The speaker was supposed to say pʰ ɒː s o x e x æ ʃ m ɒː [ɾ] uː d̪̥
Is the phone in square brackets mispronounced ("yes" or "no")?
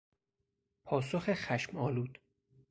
yes